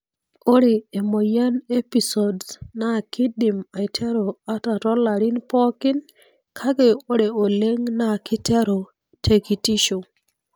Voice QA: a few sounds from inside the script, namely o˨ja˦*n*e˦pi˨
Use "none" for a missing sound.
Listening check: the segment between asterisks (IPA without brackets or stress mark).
n